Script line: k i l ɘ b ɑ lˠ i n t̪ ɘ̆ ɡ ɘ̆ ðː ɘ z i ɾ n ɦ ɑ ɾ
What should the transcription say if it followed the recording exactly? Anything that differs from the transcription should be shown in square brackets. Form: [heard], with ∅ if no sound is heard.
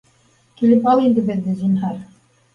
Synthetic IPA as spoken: k i l ɘ [p] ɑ lˠ i n [d̪] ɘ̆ [b] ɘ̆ ðː ɘ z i [∅] n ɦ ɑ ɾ